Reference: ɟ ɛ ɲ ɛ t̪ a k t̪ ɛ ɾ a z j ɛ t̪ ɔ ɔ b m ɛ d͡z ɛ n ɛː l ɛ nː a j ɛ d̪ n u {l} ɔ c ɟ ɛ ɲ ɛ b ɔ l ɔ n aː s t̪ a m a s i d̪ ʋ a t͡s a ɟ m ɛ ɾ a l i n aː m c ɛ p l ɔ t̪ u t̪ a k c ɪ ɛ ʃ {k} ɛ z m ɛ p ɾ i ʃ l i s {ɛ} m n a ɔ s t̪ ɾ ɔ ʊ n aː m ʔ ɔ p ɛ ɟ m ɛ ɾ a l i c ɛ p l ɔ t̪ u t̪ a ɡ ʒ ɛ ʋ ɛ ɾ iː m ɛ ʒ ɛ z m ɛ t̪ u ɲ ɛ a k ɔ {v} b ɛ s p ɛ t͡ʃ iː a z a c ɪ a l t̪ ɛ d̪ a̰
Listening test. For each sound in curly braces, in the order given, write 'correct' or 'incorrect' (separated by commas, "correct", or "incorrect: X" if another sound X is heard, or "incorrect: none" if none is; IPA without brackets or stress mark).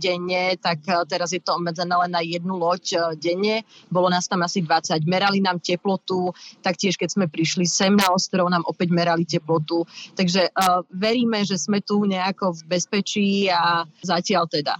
correct, correct, correct, correct